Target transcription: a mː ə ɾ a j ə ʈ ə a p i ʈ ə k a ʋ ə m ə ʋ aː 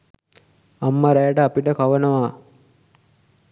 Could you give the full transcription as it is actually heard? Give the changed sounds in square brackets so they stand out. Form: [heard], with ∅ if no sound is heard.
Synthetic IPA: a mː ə ɾ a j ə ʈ ə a p i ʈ ə k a ʋ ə [n] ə ʋ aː